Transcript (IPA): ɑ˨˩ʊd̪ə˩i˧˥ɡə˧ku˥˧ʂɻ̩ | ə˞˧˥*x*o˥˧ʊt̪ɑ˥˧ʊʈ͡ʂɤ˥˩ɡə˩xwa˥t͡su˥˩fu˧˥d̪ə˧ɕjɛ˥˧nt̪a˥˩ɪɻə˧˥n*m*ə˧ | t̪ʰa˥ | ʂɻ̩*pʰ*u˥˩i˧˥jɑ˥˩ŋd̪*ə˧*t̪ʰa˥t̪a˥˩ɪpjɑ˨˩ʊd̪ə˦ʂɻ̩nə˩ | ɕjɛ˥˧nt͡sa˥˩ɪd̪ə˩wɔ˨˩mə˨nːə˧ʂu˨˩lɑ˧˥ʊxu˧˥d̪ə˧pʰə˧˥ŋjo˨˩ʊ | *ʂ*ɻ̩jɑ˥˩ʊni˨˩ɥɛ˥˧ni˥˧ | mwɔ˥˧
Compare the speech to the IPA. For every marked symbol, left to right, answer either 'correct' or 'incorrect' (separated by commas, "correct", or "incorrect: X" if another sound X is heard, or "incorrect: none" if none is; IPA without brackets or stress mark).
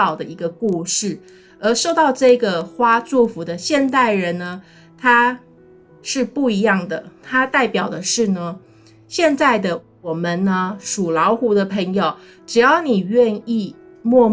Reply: incorrect: ʂ, incorrect: n, incorrect: p, incorrect: ə˩, incorrect: ʈ͡ʂ